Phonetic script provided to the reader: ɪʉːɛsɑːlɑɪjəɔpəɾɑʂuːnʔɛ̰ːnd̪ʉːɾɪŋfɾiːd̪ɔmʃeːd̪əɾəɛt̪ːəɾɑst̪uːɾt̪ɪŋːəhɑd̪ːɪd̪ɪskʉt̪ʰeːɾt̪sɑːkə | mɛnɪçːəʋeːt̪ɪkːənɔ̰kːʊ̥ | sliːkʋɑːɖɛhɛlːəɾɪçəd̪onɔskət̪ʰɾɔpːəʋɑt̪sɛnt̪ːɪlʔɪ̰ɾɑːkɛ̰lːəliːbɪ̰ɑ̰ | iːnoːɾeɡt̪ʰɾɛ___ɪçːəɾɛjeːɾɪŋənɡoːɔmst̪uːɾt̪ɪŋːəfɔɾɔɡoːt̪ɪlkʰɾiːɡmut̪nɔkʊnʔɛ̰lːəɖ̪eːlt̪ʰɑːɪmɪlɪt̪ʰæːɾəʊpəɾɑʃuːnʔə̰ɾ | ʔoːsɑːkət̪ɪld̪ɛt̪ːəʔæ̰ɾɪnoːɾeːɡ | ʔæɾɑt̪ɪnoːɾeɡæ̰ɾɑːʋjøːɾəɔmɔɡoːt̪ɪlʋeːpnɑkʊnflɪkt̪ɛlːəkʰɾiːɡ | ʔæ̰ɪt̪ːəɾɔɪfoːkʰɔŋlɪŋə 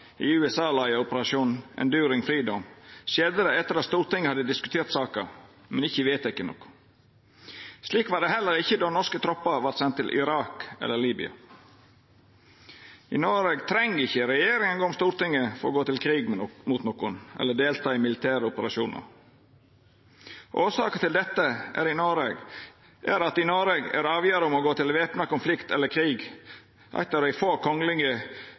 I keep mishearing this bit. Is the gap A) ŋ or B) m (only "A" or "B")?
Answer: A